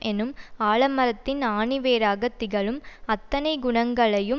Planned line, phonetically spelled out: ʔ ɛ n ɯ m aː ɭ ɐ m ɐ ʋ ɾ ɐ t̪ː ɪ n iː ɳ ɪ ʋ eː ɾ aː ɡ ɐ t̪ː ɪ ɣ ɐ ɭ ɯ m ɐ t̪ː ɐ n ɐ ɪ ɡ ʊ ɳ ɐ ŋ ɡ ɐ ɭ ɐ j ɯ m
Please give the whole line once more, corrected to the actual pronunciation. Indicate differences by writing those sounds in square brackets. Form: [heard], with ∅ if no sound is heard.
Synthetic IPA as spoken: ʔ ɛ n ɯ m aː ɭ ɐ m ɐ [∅] ɾ ɐ t̪ː ɪ n [aː] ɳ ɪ ʋ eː ɾ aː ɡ ɐ t̪ː ɪ ɣ ɐ ɭ ɯ m ɐ t̪ː ɐ n ɐ ɪ ɡ ʊ ɳ ɐ ŋ ɡ ɐ ɭ ɐ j ɯ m